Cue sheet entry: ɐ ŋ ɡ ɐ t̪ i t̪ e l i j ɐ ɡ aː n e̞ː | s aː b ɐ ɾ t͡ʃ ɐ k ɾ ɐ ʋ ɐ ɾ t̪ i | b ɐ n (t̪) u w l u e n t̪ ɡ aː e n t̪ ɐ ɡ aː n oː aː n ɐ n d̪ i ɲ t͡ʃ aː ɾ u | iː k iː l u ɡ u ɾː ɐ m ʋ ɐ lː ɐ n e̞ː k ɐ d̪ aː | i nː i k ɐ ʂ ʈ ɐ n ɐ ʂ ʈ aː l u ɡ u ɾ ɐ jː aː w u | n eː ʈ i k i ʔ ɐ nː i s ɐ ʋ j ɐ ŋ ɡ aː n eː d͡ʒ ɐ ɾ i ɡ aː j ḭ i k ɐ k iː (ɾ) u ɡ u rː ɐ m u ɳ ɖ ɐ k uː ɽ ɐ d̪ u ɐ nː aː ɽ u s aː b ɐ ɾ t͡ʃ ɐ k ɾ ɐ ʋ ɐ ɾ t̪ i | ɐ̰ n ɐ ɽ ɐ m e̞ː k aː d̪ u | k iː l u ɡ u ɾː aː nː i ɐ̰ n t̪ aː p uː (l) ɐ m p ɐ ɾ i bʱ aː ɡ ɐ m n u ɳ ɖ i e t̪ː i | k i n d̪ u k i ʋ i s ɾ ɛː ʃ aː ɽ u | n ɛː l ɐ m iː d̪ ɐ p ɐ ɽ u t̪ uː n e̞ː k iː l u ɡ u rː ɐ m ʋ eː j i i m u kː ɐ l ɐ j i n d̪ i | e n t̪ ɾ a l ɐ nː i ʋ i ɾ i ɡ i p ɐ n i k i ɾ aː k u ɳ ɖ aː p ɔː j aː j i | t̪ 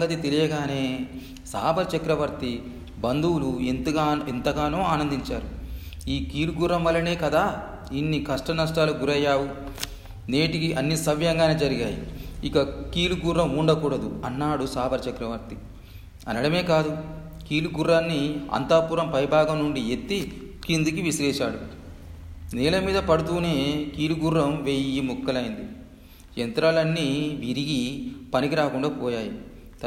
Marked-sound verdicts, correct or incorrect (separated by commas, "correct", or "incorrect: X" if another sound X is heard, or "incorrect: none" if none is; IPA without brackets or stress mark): incorrect: d̪, incorrect: l, incorrect: ɾ